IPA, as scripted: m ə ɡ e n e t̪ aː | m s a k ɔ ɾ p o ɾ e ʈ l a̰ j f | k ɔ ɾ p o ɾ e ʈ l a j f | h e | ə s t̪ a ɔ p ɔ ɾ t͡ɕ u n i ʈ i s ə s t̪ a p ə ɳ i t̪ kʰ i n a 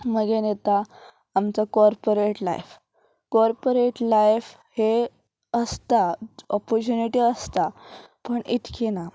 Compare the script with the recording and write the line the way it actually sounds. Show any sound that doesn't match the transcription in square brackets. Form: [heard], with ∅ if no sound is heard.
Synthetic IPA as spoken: m ə ɡ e n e t̪ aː | m [t͡s] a k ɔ ɾ p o ɾ e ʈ l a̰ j f | k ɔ ɾ p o ɾ e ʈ l a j f | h e | ə s t̪ a ɔ p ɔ ɾ t͡ɕ u n i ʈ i [∅] ə s t̪ a p ə ɳ i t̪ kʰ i n a